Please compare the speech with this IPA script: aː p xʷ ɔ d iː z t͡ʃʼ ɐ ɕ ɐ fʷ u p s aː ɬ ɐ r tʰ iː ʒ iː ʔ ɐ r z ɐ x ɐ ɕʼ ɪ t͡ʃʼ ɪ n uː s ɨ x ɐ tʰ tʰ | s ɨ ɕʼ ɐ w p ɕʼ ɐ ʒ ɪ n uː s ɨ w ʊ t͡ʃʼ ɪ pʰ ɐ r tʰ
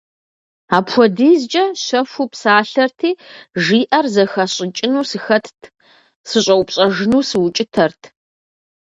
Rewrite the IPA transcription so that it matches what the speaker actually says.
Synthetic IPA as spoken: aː p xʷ ɔ d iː z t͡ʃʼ ɐ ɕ ɐ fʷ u p s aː ɬ ɐ r tʰ iː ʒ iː ʔ ɐ r z ɐ x ɐ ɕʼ ɪ t͡ʃʼ ɪ n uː s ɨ x ɐ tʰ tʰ | s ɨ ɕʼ ɐ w p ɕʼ ɐ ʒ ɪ n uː s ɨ w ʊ t͡ʃʼ ɪ tʰ ɐ r tʰ

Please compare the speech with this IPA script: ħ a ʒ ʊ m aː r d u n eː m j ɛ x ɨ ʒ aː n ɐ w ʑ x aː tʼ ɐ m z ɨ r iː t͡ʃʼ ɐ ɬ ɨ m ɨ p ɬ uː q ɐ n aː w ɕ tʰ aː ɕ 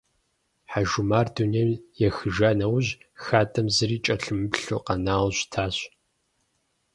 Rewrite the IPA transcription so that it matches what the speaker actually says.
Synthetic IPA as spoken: ħ a ʒ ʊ m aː r d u n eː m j ɛ x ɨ ʒ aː n ɐ w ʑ x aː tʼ ɐ m z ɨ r iː t͡ʃʼ ɐ ɬ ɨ m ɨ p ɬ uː q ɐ n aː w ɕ tʰ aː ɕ

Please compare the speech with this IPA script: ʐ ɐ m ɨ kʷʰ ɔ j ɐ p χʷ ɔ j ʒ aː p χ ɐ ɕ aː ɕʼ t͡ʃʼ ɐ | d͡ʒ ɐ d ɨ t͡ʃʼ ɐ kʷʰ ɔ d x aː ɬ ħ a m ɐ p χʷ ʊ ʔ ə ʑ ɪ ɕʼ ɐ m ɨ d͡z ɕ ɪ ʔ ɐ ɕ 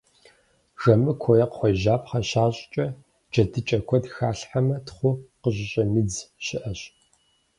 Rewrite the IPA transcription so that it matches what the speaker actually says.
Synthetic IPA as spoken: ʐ ɐ m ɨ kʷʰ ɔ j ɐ q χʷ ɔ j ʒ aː p χ ɐ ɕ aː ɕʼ t͡ʃʼ ɐ | d͡ʒ ɐ d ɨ t͡ʃʼ ɐ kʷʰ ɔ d x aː ɬ ħ a m ɐ t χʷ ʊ q ə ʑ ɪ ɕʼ ɐ m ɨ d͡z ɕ ɪ ʔ ɐ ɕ

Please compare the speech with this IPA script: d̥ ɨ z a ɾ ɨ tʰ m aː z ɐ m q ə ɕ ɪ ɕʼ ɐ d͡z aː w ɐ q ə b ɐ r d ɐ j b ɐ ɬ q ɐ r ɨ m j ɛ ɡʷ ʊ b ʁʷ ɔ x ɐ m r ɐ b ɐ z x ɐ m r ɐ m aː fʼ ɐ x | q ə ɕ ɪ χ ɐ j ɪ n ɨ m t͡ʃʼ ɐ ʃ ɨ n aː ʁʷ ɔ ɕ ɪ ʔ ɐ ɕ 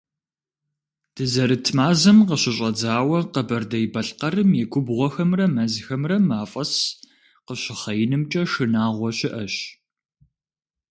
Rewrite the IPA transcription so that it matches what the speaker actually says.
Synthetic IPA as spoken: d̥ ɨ z ɐ ɾ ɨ tʰ m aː z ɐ m q ə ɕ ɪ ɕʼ ɐ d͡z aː w ɐ q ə b ɐ r d ɐ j b ɐ ɬ q ɐ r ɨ m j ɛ ɡʷ ʊ b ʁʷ ɔ x ɐ m r ɐ m ɐ z x ɐ m r ɐ m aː fʼ ɐ s | q ə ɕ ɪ χ ɐ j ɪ n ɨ m t͡ʃʼ ɐ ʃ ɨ n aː ʁʷ ɔ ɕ ɪ ʔ ɐ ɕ

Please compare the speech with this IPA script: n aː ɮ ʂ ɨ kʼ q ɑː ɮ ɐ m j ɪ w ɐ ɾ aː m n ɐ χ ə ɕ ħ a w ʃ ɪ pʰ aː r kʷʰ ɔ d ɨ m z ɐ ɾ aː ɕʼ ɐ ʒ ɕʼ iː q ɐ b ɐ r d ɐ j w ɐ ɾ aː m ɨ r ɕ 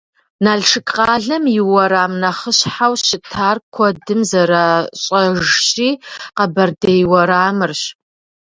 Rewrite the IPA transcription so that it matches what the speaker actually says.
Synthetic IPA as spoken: n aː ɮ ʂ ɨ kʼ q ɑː ɮ ɐ m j ɪ w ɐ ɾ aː m n ɐ χ ə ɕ ħ a w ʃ ɪ tʰ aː r kʷʰ ɔ d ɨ m z ɐ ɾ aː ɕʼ ɐ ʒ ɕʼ iː q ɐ b ɐ r d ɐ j w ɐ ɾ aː m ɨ r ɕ

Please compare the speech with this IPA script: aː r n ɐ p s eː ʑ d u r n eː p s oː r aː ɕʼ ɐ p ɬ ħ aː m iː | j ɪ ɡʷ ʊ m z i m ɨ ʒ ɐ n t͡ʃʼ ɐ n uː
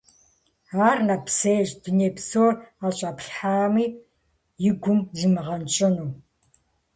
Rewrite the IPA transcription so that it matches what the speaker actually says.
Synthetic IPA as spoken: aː r n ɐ p s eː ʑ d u n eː p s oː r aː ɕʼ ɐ p ɬ ħ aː m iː | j ɪ ɡʷ ʊ m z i m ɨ ʁ ɐ n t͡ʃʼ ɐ n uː

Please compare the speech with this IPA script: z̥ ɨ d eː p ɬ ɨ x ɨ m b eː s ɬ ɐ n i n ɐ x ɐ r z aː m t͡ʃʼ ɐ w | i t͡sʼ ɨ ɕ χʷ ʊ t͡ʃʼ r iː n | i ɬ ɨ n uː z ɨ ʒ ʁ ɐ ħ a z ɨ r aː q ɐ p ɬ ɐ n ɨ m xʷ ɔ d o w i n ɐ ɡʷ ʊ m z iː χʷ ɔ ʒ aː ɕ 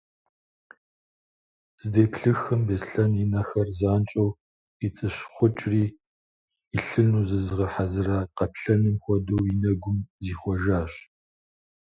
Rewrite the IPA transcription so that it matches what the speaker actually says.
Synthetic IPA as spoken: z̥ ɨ d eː p ɬ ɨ x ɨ m b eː s ɬ ɐ n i n ɐ x ɐ r z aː n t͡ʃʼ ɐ w | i t͡sʼ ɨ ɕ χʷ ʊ t͡ʃʼ r iː | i ɬ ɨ n uː z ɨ z ʁ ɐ ħ a z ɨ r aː q ɐ p ɬ ɐ n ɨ m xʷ ɔ d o w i n ɐ ɡʷ ʊ m z iː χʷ ɔ ʒ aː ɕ

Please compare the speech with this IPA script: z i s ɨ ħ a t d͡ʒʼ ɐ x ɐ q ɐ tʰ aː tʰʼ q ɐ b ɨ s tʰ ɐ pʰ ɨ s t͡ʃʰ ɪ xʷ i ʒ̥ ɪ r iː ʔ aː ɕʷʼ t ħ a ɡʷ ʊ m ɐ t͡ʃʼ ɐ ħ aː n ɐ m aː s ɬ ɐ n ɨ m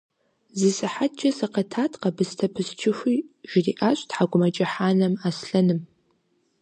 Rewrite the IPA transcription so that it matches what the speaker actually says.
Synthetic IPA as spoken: z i s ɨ ħ a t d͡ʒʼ ɐ s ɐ q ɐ tʰ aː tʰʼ q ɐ b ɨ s tʰ ɐ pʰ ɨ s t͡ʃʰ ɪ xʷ i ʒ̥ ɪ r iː ʔ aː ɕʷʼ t ħ a ɡʷ ʊ m ɐ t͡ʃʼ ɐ ħ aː n ɐ m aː s ɬ ɐ n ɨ m

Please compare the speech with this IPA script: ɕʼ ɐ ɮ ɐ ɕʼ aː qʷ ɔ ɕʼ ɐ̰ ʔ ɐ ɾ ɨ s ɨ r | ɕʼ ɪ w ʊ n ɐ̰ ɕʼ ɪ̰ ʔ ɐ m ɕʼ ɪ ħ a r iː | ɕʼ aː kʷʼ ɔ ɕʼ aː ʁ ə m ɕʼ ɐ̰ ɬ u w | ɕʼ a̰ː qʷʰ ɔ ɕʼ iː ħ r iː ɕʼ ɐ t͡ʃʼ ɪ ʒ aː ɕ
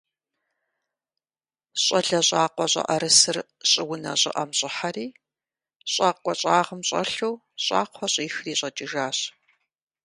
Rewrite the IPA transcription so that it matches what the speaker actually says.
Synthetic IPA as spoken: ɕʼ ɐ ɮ ɐ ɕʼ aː qʷ ɔ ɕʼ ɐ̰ ʔ ɐ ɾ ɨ s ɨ r | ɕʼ ɪ w ʊ n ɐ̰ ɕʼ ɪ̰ ʔ ɐ m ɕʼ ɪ ħ a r iː | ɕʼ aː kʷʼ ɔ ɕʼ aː ʁ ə m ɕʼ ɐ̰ ɬ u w | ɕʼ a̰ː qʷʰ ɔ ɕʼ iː x r iː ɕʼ ɐ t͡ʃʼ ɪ ʒ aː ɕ

